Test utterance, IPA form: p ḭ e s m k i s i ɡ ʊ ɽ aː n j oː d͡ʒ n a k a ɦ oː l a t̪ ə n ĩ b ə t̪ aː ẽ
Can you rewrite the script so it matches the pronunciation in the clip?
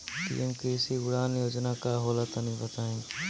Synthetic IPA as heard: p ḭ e m k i s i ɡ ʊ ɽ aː n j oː d͡ʒ n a k a ɦ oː l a t̪ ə n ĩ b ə t̪ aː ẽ